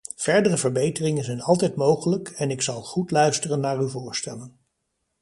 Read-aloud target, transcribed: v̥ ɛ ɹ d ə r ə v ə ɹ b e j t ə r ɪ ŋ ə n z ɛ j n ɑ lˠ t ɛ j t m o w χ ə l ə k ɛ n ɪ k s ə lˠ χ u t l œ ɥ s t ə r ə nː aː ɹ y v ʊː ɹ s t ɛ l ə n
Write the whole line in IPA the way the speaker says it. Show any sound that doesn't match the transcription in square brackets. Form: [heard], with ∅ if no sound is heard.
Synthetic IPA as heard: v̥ ɛ ɹ d ə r ə v ə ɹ b e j t ə r ɪ ŋ ə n z ɛ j n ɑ lˠ t ɛ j t m o w χ ə l ə k ɛ n ɪ k s [ɑ] lˠ χ u t l œ ɥ s t ə r ə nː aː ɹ y v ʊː ɹ s t ɛ l ə n